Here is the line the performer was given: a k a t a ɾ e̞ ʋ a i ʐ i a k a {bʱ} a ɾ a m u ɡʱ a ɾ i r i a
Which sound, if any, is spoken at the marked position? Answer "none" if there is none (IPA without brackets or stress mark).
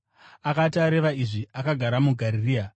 ɡʱ